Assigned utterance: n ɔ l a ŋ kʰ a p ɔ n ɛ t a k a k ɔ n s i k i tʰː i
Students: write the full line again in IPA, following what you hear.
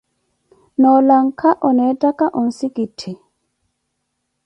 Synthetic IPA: n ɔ l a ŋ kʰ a ʔ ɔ n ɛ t a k a ʔ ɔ n s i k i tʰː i